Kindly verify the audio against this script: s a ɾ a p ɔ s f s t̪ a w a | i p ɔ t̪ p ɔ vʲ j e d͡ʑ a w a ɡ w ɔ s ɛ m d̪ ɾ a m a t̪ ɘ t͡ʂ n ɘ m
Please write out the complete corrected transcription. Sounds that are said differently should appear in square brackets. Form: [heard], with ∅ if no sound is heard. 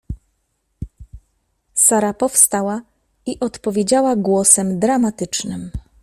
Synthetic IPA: s a ɾ a p ɔ [∅] f s t̪ a w a | i [ʔ] ɔ t̪ p ɔ vʲ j e d͡ʑ a w a ɡ w ɔ s ɛ m d̪ ɾ a m a t̪ ɘ t͡ʂ n ɘ m